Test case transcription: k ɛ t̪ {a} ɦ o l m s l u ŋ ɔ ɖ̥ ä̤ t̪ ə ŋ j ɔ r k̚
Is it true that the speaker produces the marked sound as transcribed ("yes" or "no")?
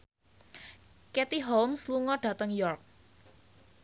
no